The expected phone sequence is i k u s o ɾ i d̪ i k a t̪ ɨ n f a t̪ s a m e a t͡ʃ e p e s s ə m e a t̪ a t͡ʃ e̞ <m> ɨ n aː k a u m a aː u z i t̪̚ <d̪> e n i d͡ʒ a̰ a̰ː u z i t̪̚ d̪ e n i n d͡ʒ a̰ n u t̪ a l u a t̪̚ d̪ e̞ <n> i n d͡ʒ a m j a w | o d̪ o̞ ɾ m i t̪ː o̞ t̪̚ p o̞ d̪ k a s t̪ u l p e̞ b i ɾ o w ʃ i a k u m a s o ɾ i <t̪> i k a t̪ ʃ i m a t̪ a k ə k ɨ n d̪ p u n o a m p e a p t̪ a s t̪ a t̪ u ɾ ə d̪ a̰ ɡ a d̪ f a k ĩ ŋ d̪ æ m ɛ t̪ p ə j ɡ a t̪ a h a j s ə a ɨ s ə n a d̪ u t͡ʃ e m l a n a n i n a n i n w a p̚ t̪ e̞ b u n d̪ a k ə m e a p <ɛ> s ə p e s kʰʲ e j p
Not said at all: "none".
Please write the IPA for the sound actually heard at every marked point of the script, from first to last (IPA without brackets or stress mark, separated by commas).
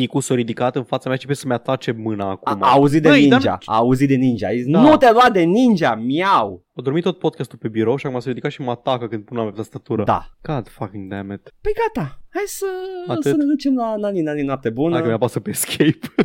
m, d̪, n, d̪, a